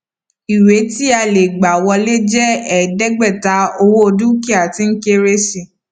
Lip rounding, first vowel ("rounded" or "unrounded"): unrounded